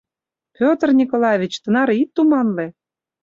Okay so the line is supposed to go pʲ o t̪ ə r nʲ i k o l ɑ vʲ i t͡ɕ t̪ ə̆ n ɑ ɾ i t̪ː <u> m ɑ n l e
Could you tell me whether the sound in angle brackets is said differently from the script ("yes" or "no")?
no